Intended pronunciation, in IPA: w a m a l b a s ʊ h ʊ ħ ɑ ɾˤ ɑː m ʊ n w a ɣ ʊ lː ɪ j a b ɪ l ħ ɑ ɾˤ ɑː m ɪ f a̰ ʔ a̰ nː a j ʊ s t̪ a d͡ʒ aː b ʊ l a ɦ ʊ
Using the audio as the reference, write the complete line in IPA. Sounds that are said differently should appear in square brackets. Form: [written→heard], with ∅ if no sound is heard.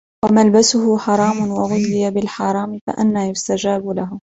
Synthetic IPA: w a m a l b a s ʊ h ʊ ħ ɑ ɾˤ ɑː m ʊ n w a ɣ ʊ lː ɪ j a b ɪ l ħ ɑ ɾˤ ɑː m ɪ f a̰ ʔ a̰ nː a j ʊ s t̪ a d͡ʒ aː b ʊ l a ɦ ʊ